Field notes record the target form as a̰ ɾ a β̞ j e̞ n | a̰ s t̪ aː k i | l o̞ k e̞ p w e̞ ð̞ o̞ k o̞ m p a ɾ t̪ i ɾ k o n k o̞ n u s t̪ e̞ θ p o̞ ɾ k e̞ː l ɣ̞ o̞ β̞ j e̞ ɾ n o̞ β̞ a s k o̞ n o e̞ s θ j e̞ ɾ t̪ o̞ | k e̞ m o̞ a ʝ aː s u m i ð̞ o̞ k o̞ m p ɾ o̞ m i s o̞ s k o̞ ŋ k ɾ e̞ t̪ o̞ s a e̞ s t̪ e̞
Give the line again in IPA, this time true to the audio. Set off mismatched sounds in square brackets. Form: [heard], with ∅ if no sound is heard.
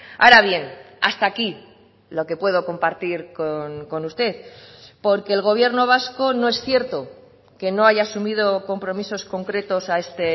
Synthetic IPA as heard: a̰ ɾ a β̞ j e̞ n | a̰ s t̪ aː k i | l o̞ k e̞ p w e̞ ð̞ o̞ k o̞ m p a ɾ t̪ i ɾ k o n k o̞ n u s t̪ e̞ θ p o̞ ɾ k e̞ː l ɣ̞ o̞ β̞ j e̞ ɾ n o̞ β̞ a s k o̞ n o e̞ s θ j e̞ ɾ t̪ o̞ | k e̞ [n] o̞ a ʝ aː s u m i ð̞ o̞ k o̞ m p ɾ o̞ m i s o̞ s k o̞ ŋ k ɾ e̞ t̪ o̞ s a e̞ s t̪ e̞